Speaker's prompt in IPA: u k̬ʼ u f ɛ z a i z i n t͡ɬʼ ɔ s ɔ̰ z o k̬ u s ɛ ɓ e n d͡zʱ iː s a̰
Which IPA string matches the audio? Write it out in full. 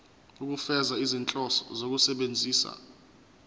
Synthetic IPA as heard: u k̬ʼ u f ɛ z a i z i n t͡ɬʼ ɔ s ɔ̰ z o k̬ u s ɛ ɓ e n d͡zʱ iː s a̰